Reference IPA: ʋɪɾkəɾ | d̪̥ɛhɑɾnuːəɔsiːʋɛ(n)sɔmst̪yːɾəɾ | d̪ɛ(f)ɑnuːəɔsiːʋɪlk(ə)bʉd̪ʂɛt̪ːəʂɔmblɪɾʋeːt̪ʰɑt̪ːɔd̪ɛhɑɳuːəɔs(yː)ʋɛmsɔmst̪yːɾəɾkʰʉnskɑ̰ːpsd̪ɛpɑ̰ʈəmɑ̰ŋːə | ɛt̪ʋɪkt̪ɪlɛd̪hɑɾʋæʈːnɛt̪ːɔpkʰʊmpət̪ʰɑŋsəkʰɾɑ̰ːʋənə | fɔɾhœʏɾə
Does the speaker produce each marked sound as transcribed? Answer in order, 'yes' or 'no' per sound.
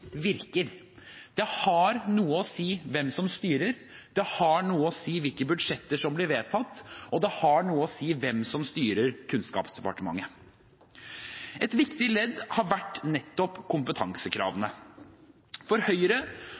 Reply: no, no, yes, no

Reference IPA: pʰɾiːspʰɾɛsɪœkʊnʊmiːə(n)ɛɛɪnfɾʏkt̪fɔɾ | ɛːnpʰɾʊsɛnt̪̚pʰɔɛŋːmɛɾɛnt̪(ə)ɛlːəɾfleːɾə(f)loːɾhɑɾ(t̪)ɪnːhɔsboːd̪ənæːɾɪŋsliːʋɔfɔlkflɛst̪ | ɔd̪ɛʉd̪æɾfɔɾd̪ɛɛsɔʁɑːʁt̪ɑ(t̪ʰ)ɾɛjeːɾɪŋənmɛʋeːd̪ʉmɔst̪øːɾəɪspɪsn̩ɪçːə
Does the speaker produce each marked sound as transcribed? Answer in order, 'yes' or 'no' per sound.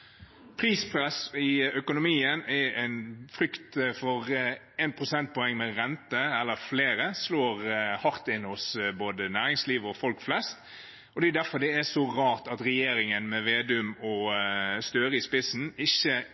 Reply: yes, yes, no, yes, no

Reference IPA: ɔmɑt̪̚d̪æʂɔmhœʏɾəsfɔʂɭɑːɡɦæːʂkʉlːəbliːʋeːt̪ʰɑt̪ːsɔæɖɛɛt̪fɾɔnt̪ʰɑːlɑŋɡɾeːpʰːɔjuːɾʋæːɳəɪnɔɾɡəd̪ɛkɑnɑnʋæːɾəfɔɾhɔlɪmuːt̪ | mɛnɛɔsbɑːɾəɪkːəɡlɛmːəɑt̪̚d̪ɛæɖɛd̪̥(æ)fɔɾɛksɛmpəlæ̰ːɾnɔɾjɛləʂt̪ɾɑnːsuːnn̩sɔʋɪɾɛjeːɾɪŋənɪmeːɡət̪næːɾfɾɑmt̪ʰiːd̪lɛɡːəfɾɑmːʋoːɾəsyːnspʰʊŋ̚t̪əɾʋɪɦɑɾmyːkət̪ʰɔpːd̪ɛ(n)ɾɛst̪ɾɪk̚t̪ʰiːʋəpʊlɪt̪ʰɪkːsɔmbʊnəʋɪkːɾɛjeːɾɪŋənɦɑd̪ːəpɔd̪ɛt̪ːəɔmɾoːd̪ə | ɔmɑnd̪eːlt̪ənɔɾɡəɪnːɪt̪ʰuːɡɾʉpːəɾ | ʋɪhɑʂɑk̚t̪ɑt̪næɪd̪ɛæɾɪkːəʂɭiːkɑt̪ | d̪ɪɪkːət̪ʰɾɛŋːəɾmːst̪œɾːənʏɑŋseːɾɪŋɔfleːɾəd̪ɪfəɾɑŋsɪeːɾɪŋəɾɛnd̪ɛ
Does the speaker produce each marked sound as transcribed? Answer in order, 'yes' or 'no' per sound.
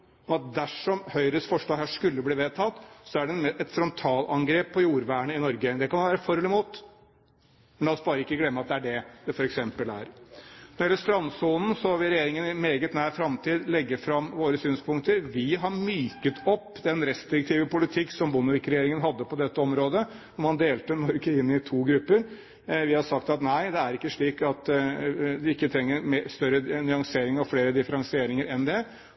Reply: no, yes

